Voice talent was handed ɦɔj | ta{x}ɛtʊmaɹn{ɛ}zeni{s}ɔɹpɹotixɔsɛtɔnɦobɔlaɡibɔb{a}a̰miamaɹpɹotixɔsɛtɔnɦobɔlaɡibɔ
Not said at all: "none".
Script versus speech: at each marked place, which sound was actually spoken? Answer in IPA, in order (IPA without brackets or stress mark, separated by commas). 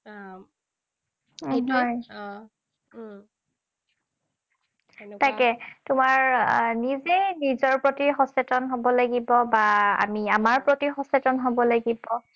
k, i, z, a